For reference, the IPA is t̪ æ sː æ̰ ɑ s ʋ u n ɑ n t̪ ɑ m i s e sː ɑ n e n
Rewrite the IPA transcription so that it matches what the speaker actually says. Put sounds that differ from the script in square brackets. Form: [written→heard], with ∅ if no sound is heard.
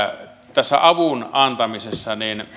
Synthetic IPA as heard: t̪ æ sː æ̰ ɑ [s→∅] ʋ u n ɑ n t̪ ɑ m i s e sː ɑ n [e→i] n